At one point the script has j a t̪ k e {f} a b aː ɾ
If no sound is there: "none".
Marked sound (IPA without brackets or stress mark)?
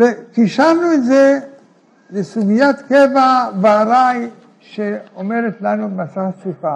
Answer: v